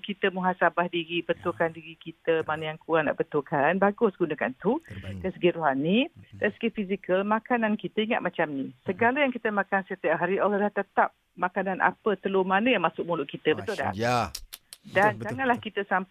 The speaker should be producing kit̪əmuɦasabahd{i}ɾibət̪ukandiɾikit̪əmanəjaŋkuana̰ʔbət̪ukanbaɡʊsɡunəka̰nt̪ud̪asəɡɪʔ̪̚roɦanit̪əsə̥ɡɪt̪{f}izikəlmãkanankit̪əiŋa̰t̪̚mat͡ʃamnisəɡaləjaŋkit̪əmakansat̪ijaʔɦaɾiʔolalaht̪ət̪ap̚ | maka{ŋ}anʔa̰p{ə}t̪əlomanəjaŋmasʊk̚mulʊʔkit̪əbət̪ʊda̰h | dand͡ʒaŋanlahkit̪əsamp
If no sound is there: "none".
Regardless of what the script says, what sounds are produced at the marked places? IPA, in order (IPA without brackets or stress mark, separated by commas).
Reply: i, f, n, ə